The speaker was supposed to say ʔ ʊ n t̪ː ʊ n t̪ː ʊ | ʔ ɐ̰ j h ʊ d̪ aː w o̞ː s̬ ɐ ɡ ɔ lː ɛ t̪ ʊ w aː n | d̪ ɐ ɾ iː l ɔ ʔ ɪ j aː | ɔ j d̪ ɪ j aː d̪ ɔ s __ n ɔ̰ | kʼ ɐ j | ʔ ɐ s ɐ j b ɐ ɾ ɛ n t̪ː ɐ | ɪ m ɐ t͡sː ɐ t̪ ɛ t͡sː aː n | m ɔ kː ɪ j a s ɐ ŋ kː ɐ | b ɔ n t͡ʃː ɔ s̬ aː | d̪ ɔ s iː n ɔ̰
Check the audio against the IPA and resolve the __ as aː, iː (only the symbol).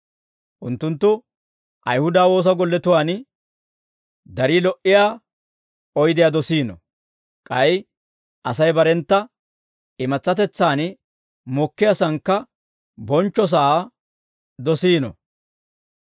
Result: iː